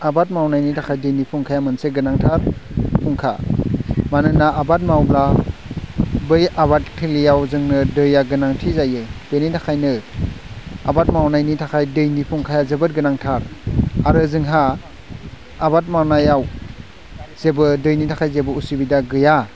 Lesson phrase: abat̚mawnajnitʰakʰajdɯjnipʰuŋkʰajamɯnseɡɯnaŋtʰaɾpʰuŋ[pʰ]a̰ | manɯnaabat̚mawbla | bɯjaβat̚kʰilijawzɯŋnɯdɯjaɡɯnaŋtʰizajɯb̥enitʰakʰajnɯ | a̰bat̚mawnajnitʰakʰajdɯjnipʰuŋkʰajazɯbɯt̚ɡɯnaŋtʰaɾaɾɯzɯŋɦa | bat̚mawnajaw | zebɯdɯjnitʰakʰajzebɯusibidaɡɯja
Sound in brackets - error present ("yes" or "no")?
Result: yes